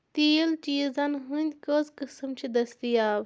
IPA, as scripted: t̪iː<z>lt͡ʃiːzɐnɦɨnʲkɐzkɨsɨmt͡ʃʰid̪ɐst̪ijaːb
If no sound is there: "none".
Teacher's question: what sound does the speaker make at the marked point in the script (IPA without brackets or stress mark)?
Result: none